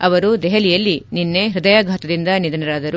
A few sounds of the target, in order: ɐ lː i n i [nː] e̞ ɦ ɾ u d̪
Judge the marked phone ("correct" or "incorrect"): correct